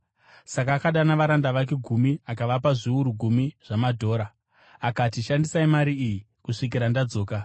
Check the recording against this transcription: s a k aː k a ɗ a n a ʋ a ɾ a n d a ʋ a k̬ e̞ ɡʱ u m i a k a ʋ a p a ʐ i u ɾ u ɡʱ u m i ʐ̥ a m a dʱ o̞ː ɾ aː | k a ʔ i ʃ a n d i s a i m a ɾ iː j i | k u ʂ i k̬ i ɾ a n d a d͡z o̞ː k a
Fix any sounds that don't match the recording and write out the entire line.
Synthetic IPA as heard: s a k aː k a ɗ a n a ʋ a ɾ a n d a ʋ a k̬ e̞ ɡʱ u m i a k a ʋ a p a ʐ i u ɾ u ɡʱ u m i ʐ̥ a m a dʱ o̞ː ɾ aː | k a t i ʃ a n d i s a i m a ɾ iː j i | k u ʂ i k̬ i ɾ a n d a d͡z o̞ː k a